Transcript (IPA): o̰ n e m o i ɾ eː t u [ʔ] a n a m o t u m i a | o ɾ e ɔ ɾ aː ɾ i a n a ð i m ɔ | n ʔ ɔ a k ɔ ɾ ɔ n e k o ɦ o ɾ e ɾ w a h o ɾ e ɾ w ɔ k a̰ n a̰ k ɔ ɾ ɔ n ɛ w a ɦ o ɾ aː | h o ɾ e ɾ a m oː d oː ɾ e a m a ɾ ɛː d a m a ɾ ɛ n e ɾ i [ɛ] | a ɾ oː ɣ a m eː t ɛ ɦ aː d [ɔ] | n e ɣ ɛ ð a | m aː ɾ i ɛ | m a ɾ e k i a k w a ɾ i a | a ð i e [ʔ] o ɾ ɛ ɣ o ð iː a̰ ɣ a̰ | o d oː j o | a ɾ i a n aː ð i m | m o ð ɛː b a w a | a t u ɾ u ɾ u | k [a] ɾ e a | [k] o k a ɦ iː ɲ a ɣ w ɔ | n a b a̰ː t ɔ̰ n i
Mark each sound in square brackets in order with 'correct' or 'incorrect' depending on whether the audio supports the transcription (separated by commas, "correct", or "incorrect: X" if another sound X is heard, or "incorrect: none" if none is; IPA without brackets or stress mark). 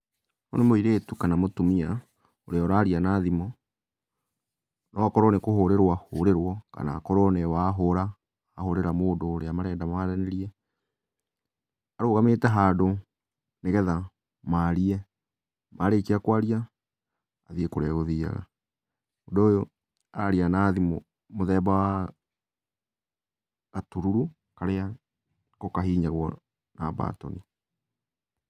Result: incorrect: k, correct, incorrect: o, incorrect: k, correct, correct